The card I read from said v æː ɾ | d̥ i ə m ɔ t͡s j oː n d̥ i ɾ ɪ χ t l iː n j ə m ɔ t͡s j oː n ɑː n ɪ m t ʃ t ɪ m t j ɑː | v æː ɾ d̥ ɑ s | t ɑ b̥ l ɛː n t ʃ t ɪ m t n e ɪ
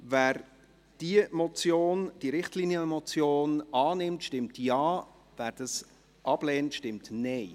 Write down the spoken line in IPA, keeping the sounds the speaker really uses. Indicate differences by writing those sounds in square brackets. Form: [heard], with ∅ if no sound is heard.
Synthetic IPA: v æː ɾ | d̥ i ə m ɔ t͡s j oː n d̥ i ɾ ɪ χ t l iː n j ə m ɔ t͡s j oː n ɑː n ɪ m t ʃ t ɪ m t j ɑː | v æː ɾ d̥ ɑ s | [ʔ] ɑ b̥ l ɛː n t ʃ t ɪ m t n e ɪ